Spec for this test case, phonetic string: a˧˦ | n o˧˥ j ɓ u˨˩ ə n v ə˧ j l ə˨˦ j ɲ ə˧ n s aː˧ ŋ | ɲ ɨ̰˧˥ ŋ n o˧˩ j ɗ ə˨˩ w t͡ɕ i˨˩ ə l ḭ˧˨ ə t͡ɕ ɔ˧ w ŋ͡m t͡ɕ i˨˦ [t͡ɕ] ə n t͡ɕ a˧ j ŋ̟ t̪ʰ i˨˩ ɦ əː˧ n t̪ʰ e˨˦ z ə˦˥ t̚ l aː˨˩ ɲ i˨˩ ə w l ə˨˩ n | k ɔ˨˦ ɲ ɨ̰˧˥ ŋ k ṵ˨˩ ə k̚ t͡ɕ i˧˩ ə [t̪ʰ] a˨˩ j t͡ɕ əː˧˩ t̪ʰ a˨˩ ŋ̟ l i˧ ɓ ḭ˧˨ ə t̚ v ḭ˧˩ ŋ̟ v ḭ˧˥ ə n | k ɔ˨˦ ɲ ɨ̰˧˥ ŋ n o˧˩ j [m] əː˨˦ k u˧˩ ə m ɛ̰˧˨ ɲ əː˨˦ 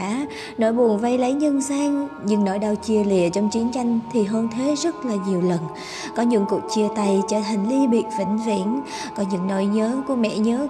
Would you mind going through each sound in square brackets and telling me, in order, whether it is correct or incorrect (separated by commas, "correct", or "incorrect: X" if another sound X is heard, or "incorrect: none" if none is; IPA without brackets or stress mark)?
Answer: incorrect: none, incorrect: t̪, incorrect: ɲ